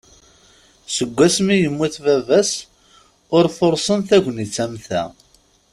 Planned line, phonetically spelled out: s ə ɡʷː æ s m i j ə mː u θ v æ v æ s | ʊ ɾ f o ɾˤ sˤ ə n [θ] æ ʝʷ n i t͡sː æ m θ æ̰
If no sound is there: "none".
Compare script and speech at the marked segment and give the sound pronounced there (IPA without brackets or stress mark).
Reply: θ